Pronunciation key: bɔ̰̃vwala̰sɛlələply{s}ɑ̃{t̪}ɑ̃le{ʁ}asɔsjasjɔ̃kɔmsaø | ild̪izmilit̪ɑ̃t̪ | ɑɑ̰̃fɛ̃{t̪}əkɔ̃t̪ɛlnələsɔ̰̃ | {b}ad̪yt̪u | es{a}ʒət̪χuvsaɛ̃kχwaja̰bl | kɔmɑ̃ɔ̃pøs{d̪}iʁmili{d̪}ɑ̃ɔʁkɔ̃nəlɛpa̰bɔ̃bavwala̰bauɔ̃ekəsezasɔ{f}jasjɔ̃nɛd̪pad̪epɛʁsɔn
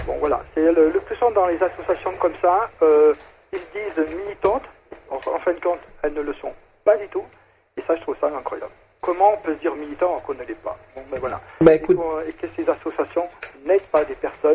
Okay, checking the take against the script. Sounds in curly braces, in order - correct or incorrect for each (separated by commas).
correct, incorrect, incorrect, incorrect, incorrect, correct, correct, incorrect, incorrect